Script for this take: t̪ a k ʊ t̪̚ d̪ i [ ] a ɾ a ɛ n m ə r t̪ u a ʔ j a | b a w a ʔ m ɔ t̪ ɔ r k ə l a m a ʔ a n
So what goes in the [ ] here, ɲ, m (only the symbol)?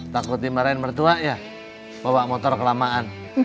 m